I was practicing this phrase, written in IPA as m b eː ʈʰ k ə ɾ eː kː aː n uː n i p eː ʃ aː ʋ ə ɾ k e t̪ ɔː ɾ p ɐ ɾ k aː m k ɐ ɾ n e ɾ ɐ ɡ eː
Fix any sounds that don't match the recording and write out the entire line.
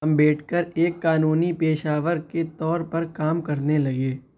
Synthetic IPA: m b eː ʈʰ k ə ɾ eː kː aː n uː n i p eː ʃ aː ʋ ə ɾ k e t̪ ɔː ɾ p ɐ ɾ k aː m k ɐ ɾ n e l ɐ ɡ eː